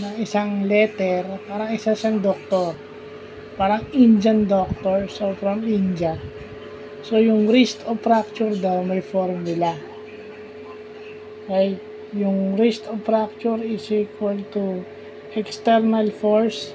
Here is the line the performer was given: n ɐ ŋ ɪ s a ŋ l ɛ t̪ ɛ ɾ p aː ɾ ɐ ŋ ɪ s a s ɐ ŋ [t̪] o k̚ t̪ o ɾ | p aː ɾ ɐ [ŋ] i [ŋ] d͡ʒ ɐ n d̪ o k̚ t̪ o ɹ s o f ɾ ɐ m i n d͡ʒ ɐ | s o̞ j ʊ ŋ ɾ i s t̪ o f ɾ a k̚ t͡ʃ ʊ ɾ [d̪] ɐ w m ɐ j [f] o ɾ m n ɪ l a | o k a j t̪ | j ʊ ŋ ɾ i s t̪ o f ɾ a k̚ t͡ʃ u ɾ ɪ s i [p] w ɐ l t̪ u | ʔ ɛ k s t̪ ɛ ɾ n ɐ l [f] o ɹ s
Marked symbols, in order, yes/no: no, yes, no, yes, yes, no, yes

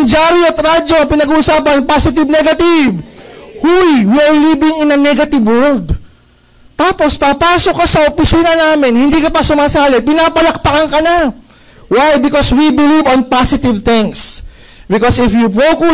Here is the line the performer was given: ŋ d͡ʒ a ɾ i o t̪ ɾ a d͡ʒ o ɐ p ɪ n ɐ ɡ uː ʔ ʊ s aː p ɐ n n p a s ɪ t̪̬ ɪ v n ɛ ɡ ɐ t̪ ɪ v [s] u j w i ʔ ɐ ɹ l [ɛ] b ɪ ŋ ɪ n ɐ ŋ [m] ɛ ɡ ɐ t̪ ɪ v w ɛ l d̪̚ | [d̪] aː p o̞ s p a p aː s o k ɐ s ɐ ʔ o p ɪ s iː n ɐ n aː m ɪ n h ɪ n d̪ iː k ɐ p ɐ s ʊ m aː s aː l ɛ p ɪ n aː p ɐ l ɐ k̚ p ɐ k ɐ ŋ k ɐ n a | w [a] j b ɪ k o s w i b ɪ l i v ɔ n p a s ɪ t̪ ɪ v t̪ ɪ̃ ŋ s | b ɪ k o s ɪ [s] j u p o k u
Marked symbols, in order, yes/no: no, no, no, no, yes, no

